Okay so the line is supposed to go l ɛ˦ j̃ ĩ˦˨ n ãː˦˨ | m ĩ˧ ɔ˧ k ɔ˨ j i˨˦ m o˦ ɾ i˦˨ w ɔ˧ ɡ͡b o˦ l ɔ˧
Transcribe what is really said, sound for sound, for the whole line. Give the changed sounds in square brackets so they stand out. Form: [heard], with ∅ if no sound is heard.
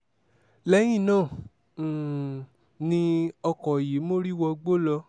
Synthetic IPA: l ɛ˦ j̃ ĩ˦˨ n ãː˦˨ | [n] ĩ˧ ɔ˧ k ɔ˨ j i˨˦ m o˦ ɾ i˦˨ w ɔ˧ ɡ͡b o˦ l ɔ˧